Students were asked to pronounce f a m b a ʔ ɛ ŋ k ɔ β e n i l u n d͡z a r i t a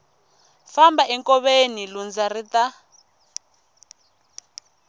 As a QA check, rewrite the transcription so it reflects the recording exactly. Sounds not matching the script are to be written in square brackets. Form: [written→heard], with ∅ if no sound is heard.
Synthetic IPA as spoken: f a m b a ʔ ɛ ŋ k ɔ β e n i l u n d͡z a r i t a